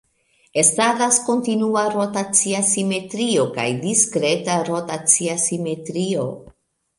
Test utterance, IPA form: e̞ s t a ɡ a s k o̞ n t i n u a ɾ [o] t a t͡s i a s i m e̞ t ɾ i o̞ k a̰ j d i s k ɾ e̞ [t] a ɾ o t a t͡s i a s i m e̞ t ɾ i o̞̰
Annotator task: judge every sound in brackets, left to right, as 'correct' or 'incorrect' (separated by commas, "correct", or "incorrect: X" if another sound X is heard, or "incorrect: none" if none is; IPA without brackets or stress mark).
correct, correct